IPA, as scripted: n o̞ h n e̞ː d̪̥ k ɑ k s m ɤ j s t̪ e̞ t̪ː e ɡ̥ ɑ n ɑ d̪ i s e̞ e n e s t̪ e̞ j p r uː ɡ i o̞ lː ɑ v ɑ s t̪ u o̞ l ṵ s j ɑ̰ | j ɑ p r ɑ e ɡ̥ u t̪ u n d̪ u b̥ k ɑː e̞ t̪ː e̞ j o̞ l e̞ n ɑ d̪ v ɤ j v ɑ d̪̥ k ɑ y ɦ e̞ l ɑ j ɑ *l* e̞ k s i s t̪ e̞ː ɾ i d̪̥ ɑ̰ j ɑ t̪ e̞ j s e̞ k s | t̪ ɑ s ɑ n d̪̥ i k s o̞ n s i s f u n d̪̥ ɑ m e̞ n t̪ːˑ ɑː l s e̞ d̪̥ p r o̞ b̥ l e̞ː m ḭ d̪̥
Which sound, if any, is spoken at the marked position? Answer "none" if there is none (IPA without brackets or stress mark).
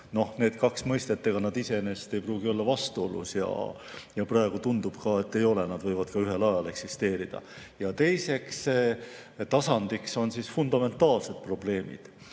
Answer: l